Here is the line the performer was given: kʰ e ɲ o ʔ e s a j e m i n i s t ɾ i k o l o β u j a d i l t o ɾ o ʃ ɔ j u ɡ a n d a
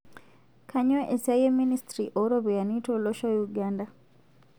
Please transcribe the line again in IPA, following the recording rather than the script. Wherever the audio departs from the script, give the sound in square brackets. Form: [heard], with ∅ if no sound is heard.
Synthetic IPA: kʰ [a] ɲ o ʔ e s a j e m i n i s t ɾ i [ʔ] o [ɾ] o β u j a [n] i [∅] t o [l] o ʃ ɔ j u ɡ a n d a